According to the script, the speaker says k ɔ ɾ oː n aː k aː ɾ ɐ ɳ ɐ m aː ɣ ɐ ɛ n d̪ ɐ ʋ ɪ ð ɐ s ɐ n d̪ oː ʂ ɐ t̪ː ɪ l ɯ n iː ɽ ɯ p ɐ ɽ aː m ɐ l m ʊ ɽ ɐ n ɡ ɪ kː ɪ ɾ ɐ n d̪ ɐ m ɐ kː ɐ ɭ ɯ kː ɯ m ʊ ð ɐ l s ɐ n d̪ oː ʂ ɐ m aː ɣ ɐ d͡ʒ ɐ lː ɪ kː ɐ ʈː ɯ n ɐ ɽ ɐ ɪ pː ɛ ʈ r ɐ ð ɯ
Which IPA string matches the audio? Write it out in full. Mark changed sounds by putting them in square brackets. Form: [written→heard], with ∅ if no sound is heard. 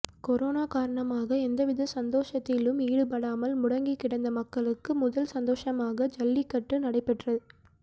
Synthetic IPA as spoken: k ɔ ɾ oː n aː k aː ɾ ɐ ɳ ɐ m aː ɣ ɐ ɛ n d̪ ɐ ʋ ɪ ð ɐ s ɐ n d̪ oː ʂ ɐ t̪ː ɪ l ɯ [n→m] iː ɽ ɯ p ɐ ɽ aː m ɐ l m ʊ ɽ ɐ [n→ŋ] ɡ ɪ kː ɪ [ɾ→ɽ] ɐ n d̪ ɐ m ɐ kː ɐ ɭ ɯ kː ɯ m ʊ ð ɐ l s ɐ n d̪ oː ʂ ɐ m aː ɣ ɐ d͡ʒ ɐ lː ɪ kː ɐ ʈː ɯ n ɐ ɽ ɐ ɪ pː ɛ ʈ r ɐ ð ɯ